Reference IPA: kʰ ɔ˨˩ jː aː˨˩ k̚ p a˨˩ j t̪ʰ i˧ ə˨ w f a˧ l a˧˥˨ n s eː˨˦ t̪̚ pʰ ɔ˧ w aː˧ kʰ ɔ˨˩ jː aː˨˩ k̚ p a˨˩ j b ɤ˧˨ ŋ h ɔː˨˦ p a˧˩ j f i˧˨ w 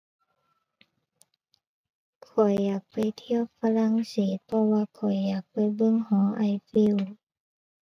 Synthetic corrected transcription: kʰ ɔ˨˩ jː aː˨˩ k̚ p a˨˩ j t̪ʰ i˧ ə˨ w f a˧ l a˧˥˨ ŋ s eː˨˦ t̪̚ pʰ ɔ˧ w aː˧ kʰ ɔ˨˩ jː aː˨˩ k̚ p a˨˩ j b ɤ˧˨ ŋ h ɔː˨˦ ʔ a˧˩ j f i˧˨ w

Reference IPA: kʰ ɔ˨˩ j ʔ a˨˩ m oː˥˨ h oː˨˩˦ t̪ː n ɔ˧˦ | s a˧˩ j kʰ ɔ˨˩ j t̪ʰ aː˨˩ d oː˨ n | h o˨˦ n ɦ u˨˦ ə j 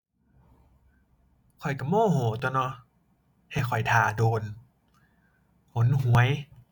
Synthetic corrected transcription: kʰ ɔ˨˩ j k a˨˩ m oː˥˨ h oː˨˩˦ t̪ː n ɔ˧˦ | h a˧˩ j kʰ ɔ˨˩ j t̪ʰ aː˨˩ d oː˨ n | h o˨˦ n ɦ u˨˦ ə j

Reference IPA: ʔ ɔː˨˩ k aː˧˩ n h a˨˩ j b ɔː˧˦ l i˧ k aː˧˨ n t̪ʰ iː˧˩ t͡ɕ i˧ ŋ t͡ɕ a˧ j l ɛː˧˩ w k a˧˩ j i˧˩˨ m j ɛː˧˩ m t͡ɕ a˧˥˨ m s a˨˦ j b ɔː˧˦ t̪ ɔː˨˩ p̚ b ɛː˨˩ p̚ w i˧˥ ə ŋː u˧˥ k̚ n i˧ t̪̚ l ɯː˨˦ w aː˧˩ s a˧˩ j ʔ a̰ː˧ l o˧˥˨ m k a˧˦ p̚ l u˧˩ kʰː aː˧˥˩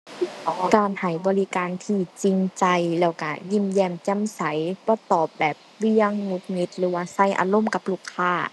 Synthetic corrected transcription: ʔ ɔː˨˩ k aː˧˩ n h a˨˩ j b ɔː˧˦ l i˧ k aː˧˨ n t̪ʰ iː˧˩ t͡ɕ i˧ ŋ t͡ɕ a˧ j l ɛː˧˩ w k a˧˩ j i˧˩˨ m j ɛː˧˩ m t͡ɕ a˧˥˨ m s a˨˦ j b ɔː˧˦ t̪ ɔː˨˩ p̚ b ɛː˨˩ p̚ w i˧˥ ə ŋː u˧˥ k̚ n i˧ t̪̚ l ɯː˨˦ w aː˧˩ s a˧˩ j ʔ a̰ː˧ l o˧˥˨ m k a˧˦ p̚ l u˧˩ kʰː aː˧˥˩

